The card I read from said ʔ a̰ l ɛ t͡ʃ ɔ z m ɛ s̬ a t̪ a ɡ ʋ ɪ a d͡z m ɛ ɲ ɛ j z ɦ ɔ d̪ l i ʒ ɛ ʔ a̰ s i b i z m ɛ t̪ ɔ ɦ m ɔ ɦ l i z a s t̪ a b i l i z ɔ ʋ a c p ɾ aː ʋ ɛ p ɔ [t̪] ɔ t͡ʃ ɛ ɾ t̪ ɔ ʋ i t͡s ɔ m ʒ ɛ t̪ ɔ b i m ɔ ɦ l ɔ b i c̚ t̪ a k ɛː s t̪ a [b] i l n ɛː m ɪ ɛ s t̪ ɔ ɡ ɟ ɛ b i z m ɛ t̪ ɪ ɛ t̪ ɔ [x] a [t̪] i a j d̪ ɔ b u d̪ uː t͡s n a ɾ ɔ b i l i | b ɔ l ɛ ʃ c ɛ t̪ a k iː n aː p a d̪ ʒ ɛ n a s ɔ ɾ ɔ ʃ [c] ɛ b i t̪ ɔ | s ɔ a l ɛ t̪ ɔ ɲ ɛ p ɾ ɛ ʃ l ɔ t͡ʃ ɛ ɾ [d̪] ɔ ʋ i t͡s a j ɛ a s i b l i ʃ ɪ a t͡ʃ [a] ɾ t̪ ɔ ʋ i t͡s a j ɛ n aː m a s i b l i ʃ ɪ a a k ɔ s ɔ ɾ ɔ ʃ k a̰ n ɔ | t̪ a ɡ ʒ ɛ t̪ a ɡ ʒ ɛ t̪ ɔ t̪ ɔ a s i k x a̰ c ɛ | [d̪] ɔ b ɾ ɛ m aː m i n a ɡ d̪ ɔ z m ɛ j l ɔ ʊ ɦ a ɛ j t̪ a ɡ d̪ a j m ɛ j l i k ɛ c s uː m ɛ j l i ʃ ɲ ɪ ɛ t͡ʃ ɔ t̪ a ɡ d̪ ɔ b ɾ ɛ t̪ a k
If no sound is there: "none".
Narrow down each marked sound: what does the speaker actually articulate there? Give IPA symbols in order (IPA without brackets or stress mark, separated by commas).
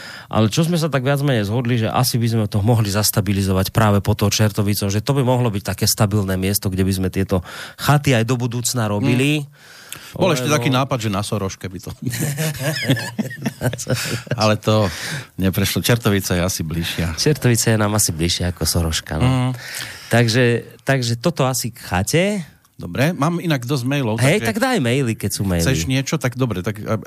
t̪, b, x, t̪, k, t̪, ɛ, d̪